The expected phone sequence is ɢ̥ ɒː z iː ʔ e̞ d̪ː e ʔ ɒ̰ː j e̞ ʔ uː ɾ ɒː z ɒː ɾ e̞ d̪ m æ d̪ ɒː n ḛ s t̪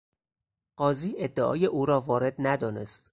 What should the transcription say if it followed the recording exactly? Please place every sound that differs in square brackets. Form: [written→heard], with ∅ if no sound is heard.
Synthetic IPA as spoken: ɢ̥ ɒː z iː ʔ e̞ d̪ː e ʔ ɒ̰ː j e̞ ʔ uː ɾ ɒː [z→v] ɒː ɾ e̞ d̪ [m→n] æ d̪ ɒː n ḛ s t̪